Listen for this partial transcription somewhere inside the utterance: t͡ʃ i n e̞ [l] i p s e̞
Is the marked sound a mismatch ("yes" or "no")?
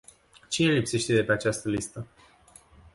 no